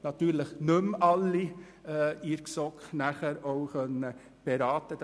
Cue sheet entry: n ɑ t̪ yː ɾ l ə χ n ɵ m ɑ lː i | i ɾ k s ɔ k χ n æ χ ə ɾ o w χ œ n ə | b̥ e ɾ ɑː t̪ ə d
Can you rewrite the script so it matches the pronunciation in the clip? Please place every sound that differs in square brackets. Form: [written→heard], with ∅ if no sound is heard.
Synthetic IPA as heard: n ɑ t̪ yː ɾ l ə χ n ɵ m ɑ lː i | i ɾ k s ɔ k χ n æ χ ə ɾ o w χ œ n ə | b̥ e ɾ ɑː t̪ ə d